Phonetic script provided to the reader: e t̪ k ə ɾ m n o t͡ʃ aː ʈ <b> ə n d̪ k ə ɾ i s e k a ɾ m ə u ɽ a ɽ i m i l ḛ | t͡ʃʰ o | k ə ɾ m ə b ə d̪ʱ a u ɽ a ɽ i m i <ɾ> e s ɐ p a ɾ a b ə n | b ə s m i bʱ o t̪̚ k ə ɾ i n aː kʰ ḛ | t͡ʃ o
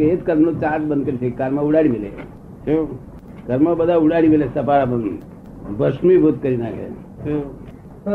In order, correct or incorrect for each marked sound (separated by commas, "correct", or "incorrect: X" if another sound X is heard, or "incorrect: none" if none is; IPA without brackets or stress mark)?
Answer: correct, incorrect: l